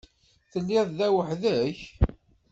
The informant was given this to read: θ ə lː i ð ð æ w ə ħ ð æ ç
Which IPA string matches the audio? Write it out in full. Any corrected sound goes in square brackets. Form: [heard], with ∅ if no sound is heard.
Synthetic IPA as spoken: θ ə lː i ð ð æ w ə ħ ð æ ç